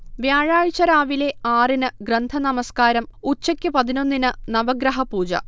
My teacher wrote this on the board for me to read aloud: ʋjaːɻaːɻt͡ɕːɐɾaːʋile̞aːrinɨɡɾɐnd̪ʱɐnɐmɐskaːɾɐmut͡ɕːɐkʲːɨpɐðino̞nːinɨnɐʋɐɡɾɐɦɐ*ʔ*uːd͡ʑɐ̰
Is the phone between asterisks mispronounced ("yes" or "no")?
yes